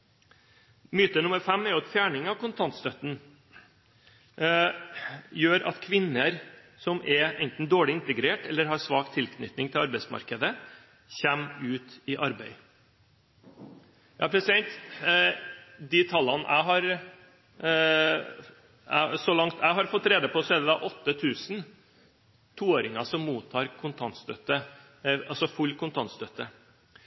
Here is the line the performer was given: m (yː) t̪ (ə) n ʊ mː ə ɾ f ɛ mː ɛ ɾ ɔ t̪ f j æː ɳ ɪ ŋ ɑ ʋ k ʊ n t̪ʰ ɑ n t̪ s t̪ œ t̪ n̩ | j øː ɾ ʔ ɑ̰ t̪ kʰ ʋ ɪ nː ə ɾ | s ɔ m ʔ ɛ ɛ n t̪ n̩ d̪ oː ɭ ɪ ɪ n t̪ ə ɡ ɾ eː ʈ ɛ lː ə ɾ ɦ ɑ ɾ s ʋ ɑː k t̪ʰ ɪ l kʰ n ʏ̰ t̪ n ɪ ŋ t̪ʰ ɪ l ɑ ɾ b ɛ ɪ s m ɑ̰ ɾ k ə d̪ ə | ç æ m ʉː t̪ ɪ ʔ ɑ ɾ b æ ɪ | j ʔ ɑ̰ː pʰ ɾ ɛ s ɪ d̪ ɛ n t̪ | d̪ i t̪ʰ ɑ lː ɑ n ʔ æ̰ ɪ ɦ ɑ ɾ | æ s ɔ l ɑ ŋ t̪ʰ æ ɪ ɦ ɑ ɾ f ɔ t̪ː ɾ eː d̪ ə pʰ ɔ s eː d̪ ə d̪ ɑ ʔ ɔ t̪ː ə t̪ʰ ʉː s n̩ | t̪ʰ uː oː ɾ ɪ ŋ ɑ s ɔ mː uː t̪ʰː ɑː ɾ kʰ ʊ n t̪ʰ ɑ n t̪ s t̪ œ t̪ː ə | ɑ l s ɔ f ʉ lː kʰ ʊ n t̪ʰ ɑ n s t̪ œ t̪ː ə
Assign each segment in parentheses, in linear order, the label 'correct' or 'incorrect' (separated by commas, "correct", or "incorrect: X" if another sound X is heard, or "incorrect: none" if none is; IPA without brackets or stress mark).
correct, correct